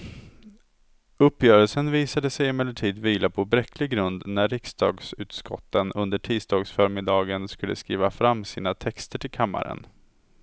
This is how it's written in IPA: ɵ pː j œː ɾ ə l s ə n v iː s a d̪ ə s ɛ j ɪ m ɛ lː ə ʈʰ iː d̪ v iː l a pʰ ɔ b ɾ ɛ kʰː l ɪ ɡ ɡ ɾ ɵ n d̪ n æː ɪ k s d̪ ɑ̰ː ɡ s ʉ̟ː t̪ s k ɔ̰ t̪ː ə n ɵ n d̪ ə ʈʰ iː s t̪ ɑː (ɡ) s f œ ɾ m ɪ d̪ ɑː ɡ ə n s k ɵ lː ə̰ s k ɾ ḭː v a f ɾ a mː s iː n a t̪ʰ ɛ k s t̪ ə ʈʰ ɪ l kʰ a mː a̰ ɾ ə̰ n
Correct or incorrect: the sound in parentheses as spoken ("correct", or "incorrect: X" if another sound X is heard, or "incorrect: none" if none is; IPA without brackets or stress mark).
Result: correct